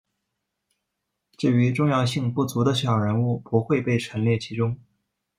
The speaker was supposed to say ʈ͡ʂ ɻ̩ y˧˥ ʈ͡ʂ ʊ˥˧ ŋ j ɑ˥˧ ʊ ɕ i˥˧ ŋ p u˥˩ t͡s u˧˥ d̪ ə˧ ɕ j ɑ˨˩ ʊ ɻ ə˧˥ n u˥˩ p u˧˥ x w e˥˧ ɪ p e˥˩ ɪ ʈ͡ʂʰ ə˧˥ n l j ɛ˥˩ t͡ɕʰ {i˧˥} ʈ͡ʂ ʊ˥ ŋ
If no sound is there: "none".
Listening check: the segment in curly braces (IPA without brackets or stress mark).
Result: i˧˥